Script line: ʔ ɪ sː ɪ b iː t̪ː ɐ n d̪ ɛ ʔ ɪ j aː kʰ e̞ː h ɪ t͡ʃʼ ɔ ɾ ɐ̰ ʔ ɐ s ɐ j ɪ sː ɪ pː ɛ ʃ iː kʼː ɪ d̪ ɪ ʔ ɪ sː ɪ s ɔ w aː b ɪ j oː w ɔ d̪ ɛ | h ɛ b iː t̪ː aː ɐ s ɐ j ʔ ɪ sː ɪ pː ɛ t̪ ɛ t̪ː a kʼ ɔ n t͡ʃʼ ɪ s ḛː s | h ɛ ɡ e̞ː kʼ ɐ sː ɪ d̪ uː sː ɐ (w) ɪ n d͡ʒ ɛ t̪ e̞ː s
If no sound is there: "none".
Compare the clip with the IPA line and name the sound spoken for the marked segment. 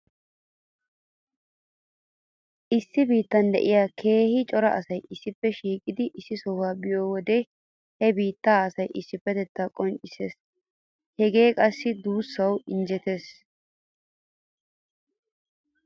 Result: w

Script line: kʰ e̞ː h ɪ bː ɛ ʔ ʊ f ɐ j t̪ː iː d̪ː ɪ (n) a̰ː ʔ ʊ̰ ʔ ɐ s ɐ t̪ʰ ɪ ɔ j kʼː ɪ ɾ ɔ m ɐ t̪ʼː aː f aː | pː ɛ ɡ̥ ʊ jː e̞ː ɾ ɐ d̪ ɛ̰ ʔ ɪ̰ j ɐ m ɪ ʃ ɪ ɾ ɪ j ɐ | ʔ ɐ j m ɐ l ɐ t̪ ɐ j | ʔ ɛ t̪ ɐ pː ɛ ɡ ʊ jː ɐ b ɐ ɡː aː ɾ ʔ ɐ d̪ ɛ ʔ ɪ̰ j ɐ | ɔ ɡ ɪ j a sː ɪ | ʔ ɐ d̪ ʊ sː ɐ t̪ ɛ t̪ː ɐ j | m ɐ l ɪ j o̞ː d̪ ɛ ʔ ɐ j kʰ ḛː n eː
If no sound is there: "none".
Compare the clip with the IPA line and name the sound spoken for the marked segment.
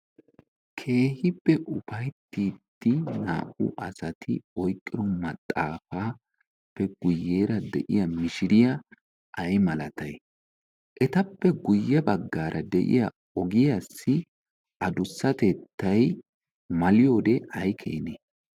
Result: n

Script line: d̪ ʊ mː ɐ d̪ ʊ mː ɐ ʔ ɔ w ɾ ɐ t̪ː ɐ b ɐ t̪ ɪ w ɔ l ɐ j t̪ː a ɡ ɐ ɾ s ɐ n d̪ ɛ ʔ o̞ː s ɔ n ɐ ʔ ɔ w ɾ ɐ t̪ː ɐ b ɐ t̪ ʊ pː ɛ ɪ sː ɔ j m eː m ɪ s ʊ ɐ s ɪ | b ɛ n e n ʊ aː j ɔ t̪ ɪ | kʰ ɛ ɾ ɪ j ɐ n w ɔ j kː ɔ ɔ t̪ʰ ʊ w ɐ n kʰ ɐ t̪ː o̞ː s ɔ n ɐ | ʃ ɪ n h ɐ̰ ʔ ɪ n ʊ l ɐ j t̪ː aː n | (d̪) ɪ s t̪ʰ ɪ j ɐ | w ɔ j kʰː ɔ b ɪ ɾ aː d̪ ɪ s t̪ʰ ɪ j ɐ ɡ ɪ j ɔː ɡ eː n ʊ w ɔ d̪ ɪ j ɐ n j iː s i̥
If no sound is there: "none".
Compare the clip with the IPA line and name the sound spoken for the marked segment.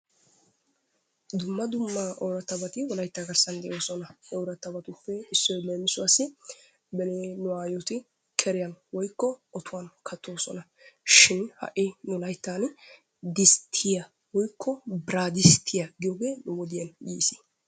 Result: d̪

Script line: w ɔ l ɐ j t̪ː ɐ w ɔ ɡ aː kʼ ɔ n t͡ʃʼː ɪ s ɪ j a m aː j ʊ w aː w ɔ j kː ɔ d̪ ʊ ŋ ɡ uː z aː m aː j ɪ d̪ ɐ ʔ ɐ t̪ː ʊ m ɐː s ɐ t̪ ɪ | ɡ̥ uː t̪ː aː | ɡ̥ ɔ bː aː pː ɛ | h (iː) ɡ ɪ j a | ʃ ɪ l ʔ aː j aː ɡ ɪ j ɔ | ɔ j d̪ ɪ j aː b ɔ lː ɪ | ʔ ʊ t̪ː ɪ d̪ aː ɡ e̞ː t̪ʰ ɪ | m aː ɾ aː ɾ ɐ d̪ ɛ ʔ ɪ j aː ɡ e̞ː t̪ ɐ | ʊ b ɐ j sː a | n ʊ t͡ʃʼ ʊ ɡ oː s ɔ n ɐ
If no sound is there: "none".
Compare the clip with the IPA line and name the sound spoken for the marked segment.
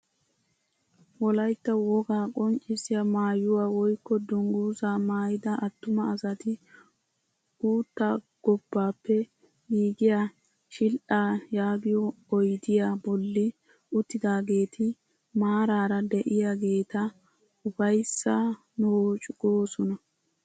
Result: iː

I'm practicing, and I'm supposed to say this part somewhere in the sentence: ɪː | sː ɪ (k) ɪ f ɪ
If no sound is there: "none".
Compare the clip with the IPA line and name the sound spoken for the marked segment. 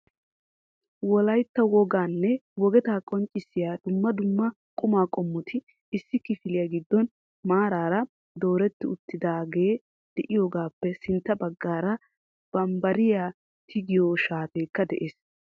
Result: k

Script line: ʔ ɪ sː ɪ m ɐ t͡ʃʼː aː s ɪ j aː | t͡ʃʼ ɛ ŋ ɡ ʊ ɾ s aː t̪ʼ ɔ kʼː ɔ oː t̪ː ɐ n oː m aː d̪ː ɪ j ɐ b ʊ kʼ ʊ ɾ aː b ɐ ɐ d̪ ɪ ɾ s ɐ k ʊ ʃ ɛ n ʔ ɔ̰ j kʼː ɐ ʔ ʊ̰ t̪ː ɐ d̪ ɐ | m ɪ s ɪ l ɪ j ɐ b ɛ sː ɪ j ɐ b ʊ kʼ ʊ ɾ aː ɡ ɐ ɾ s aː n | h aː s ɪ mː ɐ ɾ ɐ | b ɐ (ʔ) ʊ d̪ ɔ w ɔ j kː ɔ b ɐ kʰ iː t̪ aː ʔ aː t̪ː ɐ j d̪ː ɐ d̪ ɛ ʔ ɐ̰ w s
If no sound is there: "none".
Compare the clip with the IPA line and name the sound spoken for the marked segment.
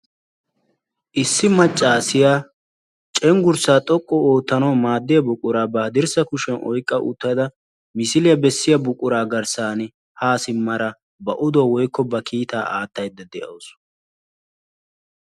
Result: ʔ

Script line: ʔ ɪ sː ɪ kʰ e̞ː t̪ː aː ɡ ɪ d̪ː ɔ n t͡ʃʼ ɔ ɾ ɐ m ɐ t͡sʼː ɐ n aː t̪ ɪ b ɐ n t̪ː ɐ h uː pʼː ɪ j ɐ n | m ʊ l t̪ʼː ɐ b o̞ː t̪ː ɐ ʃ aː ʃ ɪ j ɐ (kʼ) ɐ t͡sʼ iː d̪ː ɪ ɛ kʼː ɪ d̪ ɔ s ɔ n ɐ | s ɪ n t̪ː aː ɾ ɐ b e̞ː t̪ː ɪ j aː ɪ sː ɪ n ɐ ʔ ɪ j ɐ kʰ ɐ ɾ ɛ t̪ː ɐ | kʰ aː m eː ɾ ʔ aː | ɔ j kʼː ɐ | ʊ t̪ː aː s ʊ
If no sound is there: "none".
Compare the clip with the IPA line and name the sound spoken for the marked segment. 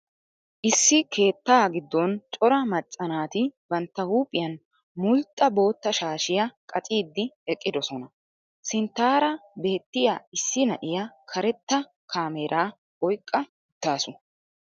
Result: kʼ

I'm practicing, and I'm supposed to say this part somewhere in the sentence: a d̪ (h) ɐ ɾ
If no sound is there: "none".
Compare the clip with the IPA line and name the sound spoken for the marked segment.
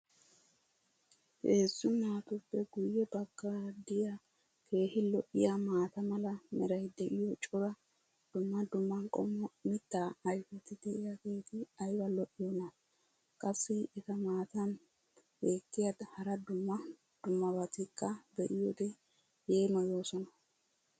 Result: h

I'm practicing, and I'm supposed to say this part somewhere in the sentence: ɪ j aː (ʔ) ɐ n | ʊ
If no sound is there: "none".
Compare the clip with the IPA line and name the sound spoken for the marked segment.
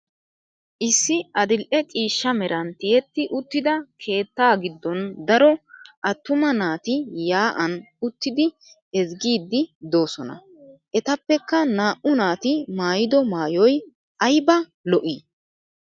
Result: ʔ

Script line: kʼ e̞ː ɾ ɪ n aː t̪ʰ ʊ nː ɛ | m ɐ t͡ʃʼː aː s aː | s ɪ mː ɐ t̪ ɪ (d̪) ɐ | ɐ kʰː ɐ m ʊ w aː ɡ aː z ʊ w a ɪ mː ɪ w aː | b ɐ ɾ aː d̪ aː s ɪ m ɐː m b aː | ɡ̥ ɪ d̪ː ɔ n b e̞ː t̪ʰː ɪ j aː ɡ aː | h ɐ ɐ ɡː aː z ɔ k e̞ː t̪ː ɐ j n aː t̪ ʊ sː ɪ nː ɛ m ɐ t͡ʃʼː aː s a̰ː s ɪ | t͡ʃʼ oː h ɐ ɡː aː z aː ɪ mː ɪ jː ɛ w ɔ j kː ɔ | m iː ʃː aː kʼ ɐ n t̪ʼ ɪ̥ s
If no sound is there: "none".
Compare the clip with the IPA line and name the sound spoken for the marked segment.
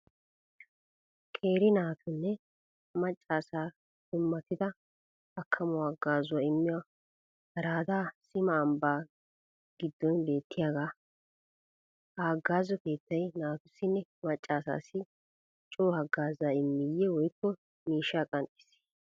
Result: d̪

